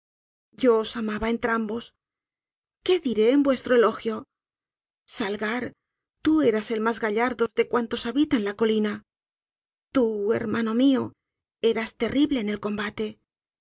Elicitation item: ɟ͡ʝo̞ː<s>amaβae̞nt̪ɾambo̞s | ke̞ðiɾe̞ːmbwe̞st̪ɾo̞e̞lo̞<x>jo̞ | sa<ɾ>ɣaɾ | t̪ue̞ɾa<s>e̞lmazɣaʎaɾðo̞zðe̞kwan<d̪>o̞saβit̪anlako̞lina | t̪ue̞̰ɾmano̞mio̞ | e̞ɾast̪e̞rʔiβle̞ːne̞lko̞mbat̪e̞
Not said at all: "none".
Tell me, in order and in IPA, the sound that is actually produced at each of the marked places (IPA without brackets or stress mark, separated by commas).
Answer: s, x, l, s, t̪